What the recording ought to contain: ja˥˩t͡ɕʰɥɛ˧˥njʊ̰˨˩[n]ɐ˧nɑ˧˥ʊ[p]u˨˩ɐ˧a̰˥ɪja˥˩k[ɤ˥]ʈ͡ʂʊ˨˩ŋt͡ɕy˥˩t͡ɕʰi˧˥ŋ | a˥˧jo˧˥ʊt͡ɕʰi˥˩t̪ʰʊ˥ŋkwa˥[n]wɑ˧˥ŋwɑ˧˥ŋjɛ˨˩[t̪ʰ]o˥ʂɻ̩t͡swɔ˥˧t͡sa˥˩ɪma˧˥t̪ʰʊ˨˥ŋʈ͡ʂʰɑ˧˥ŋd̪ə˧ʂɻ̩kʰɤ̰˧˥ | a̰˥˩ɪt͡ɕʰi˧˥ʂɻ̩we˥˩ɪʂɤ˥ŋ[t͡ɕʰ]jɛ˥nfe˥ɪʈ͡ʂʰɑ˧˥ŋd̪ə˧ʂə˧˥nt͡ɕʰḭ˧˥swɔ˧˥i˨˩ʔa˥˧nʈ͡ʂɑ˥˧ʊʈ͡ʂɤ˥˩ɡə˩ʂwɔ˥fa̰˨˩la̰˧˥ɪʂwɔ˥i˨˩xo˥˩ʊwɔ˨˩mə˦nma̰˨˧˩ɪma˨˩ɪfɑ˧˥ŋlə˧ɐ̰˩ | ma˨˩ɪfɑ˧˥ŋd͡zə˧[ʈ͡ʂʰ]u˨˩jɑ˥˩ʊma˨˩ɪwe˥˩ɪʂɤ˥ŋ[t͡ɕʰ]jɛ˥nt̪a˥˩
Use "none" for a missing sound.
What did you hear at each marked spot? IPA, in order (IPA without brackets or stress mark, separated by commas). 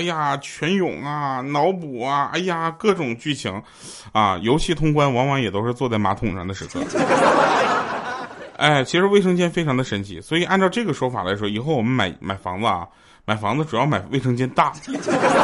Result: ŋ, p, ɤ˥˩, n, t̪, t͡ɕ, ʈ͡ʂ, t͡ɕ